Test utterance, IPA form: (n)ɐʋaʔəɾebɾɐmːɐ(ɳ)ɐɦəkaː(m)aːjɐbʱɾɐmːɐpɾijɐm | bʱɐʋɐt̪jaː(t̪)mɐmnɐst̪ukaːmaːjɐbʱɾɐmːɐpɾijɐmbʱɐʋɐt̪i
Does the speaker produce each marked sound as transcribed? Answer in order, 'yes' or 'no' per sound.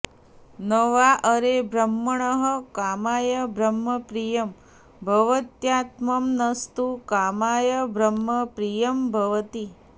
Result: yes, yes, yes, yes

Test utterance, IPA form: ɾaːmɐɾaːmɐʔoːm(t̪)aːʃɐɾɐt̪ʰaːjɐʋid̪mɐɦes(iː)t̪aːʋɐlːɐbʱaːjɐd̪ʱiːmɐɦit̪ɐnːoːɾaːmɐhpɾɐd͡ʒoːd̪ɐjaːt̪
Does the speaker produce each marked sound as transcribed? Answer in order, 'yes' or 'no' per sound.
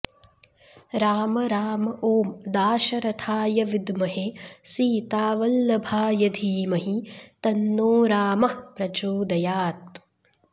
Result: no, yes

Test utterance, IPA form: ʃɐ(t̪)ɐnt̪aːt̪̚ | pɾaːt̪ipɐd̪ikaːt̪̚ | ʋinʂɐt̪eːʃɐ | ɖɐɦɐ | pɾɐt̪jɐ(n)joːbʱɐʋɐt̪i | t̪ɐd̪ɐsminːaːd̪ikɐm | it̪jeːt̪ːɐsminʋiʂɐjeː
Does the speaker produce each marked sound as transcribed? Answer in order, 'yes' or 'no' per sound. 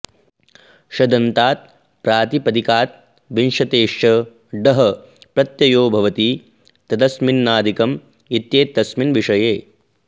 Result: no, no

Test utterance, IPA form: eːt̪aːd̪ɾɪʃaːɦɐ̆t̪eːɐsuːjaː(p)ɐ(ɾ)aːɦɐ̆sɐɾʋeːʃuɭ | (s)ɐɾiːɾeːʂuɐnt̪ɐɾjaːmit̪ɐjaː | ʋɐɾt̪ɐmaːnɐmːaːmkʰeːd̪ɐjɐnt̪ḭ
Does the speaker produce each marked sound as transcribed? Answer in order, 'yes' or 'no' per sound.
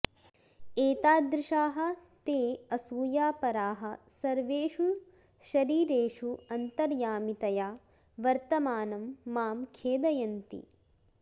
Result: yes, yes, no

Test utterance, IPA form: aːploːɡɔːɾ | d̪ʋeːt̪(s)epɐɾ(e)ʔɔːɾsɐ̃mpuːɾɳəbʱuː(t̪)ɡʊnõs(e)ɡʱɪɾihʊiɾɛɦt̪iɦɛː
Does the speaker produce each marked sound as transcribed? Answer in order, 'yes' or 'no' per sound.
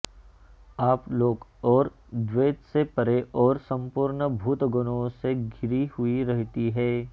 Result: yes, yes, yes, yes

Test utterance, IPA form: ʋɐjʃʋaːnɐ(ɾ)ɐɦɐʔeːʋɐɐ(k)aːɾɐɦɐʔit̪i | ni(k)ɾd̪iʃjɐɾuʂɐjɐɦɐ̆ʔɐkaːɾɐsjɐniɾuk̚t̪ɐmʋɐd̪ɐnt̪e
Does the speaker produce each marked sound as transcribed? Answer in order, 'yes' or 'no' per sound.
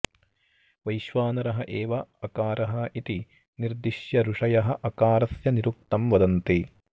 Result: yes, yes, no

